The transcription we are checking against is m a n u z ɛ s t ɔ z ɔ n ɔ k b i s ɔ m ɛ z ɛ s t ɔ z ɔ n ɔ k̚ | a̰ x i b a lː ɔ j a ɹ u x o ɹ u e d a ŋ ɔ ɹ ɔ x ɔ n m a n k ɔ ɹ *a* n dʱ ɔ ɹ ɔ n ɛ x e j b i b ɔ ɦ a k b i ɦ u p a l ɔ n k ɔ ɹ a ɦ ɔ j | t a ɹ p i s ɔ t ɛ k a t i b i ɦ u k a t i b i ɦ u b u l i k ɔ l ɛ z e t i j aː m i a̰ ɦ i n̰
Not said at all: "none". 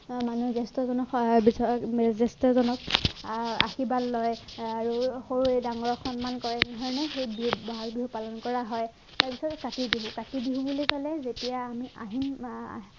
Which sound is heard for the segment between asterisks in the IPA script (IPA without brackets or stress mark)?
ɛ